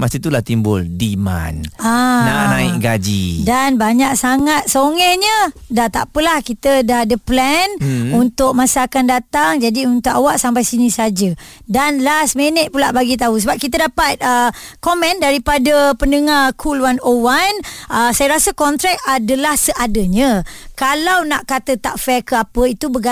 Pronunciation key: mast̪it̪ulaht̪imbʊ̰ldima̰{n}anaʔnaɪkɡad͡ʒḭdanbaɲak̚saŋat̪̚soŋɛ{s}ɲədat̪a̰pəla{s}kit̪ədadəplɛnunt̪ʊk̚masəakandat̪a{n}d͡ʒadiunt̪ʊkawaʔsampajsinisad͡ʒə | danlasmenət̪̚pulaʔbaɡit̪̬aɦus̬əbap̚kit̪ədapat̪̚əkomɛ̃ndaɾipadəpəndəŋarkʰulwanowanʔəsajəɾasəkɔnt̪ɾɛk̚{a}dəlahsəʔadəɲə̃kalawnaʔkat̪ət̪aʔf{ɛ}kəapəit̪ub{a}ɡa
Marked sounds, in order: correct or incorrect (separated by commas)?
correct, incorrect, incorrect, incorrect, correct, correct, incorrect